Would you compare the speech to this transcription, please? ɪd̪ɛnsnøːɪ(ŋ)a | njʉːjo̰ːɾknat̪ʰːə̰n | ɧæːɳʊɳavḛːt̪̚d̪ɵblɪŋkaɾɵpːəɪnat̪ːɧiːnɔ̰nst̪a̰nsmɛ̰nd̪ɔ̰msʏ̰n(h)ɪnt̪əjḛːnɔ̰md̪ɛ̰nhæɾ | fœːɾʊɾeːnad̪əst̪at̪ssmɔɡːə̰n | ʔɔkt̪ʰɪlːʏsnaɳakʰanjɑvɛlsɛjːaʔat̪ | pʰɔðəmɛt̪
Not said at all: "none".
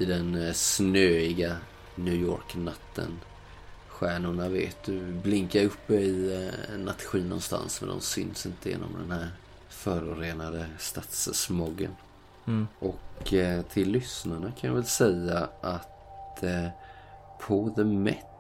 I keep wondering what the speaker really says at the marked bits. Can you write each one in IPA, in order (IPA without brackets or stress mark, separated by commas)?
ɡ, s